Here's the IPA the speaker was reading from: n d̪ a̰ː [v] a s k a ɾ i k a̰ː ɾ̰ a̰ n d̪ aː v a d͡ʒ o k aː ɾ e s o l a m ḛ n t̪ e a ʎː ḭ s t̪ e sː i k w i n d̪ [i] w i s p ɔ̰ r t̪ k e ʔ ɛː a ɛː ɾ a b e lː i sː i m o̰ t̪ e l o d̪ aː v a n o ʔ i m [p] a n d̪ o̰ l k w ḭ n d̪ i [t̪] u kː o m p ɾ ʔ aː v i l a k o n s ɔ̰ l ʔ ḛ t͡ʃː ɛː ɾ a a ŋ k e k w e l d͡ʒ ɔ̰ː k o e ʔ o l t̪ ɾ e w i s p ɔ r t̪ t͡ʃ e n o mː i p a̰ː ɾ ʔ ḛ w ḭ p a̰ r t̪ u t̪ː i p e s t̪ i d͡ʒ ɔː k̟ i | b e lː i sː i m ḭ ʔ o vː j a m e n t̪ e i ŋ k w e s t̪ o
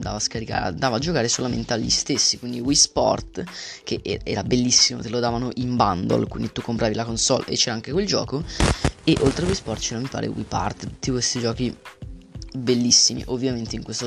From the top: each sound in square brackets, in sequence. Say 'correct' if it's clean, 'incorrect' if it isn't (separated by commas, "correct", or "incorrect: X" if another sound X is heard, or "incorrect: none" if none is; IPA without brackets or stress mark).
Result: correct, correct, incorrect: b, correct